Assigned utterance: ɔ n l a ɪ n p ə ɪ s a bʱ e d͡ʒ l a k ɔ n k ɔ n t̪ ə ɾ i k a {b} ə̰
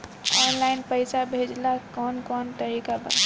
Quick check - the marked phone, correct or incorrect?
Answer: correct